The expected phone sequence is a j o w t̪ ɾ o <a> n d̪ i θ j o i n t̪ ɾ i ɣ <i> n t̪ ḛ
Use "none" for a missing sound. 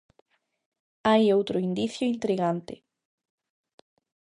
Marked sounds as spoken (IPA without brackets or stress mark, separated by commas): i, a